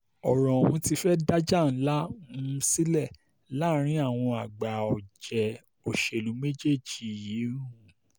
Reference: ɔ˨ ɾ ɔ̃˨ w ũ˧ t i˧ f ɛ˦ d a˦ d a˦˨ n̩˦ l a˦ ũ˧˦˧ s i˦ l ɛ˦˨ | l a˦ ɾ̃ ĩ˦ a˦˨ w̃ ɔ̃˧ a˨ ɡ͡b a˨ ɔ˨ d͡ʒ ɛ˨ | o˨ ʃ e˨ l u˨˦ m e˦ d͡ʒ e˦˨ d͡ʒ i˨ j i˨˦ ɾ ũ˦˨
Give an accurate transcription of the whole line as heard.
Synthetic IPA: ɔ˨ ɾ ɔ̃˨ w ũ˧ t i˧ f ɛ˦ d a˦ d͡ʒ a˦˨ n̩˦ l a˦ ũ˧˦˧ s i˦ l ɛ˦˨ | l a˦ ɾ̃ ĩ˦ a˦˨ w̃ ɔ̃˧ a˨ ɡ͡b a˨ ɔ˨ d͡ʒ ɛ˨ | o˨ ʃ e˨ l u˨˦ m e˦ d͡ʒ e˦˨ d͡ʒ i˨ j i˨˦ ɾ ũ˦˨